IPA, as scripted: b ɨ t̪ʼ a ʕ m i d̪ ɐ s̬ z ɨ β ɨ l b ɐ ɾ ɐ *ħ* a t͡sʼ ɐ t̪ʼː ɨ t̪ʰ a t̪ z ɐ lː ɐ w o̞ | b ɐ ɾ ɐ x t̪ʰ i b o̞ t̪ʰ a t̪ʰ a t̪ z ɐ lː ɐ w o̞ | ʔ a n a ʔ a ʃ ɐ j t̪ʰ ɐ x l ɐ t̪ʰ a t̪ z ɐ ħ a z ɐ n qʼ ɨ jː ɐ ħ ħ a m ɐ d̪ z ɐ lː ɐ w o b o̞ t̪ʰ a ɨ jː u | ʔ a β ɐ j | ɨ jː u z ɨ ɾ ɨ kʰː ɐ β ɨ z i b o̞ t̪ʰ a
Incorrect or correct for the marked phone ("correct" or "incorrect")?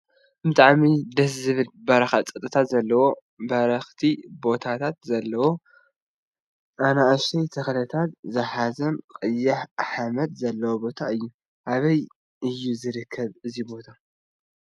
incorrect